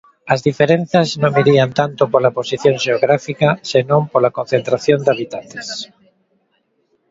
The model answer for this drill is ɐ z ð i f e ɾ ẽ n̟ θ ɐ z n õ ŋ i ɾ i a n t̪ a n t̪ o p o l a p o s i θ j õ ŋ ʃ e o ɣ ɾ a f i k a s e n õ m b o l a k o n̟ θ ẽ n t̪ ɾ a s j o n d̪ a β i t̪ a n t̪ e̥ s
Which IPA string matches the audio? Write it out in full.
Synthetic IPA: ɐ z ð i f e ɾ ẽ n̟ θ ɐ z n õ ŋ i ɾ i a n t̪ a n t̪ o p o l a p o s i θ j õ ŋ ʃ e o ɣ ɾ a f i k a s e n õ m p o l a k o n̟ θ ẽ n t̪ ɾ a θ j o n d̪ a β i t̪ a n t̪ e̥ s